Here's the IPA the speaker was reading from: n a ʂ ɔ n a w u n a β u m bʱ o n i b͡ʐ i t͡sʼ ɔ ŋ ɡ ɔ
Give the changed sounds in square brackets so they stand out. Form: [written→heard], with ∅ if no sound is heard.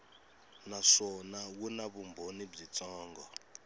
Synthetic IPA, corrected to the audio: n a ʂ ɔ n a w u n a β u m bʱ o n i b͡ʐ i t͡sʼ [ɔ→ɔː] ŋ ɡ ɔ